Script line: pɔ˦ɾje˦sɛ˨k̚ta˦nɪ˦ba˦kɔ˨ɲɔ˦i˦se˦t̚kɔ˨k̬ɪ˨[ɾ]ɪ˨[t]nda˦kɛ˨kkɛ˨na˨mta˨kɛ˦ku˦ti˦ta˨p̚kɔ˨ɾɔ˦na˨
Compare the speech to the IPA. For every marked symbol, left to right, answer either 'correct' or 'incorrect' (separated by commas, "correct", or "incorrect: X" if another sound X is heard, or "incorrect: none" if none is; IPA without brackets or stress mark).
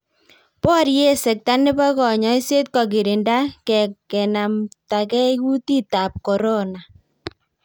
correct, incorrect: none